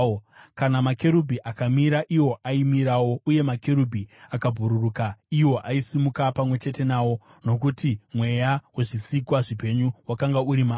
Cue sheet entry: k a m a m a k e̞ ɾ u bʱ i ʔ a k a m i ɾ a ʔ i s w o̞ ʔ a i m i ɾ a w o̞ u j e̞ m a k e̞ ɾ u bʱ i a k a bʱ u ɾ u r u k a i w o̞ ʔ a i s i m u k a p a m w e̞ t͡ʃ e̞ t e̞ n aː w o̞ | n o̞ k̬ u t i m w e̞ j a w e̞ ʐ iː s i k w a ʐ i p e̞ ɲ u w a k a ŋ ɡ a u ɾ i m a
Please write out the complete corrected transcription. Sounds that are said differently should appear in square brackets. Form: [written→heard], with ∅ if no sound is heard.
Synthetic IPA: k a [m→n] a m a k e̞ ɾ u bʱ i ʔ a k a m i ɾ a ʔ i [s→∅] w o̞ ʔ a i m i ɾ a w o̞ u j e̞ m a k e̞ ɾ u bʱ i a k a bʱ u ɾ u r u k a i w o̞ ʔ a i s i m u k a p a m w e̞ t͡ʃ e̞ t e̞ n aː w o̞ | n o̞ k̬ u t i m w e̞ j a w e̞ ʐ [iː→i] s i k w a ʐ i p e̞ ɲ u w a k a ŋ ɡ a u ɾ i m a